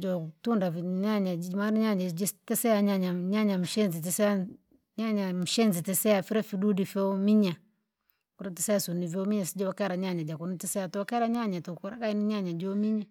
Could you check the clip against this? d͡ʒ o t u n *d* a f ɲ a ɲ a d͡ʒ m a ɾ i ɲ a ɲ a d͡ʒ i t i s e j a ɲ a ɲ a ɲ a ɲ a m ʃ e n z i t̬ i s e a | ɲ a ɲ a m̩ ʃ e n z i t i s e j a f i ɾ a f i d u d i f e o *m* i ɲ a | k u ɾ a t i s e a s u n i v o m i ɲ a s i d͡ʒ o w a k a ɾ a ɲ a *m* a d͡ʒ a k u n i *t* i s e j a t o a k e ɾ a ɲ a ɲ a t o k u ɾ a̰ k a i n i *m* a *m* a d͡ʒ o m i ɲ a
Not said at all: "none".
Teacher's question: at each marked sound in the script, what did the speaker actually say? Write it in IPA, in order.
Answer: d, m, ɲ, t, ɲ, ɲ

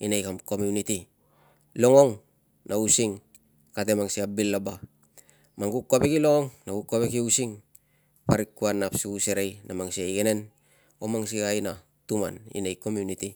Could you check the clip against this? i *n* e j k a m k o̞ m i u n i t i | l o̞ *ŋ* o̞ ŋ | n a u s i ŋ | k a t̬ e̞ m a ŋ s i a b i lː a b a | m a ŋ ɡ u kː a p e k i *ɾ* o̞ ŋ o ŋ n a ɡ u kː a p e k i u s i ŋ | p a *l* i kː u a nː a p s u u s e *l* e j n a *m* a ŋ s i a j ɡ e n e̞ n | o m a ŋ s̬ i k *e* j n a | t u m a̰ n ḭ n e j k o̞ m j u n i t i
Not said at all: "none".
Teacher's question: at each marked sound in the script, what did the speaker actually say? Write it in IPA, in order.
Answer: n, ŋ, l, ɾ, ɾ, m, a

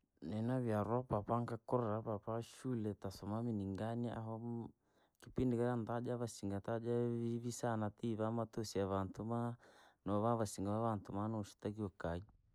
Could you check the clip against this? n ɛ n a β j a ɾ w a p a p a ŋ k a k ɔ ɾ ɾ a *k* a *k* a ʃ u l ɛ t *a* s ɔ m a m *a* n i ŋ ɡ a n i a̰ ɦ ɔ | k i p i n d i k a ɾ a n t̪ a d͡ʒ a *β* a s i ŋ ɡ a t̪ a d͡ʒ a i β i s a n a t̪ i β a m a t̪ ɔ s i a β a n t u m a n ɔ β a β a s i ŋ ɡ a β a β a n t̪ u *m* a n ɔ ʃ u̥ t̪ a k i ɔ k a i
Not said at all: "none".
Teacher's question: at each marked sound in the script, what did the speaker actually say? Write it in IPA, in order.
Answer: p, p, a, i, β, m

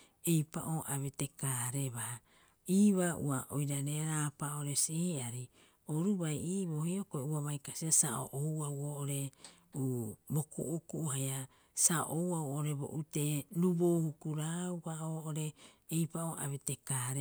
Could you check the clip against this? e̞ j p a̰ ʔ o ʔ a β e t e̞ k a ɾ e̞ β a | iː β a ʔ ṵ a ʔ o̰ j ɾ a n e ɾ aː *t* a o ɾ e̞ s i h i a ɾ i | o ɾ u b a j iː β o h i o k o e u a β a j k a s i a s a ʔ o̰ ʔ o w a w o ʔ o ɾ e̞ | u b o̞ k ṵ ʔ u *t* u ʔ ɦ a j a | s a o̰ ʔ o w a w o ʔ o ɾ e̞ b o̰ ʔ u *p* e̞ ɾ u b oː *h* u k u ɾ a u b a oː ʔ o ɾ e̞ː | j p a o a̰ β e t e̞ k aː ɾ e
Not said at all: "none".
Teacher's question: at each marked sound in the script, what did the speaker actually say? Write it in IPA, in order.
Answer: p, k, t, h

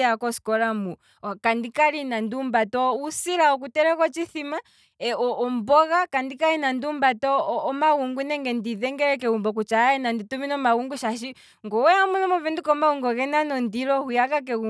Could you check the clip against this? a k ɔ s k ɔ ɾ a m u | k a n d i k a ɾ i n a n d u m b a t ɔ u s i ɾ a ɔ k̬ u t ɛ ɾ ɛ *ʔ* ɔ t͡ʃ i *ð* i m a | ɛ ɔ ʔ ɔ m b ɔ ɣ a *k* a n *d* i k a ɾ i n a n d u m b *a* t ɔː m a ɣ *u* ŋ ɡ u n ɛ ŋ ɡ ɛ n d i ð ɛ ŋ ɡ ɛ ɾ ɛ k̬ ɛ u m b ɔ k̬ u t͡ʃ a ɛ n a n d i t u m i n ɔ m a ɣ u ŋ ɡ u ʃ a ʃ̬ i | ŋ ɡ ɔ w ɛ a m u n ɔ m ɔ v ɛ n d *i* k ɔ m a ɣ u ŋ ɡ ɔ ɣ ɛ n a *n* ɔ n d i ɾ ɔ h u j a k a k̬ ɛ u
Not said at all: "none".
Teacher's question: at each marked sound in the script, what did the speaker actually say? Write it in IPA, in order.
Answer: k, θ, k, d, a, u, i, n

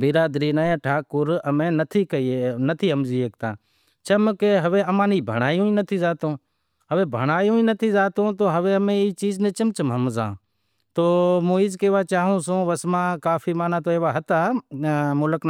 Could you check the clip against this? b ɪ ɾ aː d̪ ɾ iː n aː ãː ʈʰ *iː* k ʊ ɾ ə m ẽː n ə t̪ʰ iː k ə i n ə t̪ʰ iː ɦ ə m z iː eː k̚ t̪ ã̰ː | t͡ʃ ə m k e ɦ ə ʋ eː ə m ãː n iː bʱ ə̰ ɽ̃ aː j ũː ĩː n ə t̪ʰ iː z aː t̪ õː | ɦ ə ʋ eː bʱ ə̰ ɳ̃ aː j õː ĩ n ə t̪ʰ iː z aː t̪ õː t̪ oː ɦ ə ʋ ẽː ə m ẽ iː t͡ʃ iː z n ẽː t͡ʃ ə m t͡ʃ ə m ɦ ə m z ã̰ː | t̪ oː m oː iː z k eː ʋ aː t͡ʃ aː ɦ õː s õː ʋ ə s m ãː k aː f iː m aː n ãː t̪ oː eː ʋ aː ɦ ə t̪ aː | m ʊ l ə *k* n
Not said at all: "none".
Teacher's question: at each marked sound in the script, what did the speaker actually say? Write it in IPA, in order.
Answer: aː, k

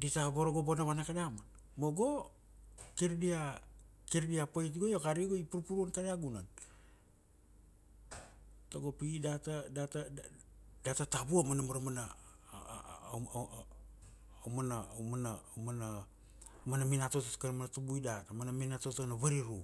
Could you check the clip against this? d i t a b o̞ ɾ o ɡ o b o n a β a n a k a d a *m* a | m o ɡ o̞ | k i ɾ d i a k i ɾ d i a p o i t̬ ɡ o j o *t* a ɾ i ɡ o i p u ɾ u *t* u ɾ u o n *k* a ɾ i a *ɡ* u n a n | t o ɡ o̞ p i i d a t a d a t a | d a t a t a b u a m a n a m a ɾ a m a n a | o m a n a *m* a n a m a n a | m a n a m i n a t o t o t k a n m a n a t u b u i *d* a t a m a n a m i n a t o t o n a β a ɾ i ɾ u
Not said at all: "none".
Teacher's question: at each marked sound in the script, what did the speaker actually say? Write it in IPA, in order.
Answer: m, k, p, k, ɡ, m, d

